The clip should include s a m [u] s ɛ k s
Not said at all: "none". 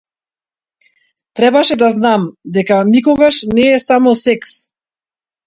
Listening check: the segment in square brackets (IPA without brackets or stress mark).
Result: ɔ